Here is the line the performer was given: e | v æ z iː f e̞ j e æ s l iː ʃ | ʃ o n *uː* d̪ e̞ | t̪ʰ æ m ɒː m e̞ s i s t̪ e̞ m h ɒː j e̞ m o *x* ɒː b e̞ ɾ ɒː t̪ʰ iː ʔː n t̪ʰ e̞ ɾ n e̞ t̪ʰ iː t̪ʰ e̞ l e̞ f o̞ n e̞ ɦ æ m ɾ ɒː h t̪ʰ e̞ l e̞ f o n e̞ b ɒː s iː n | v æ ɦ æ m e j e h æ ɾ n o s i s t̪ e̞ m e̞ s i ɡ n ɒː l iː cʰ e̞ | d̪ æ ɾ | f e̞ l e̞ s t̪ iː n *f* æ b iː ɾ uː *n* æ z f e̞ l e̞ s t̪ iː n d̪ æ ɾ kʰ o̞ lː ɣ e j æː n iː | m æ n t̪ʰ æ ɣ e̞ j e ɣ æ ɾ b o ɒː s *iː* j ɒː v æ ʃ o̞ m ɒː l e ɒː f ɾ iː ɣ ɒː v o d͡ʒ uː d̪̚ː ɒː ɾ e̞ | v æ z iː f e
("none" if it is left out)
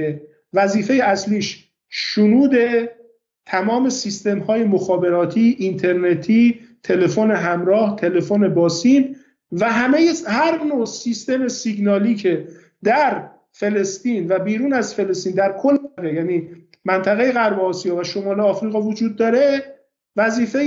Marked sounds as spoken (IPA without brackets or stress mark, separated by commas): uː, x, v, n, i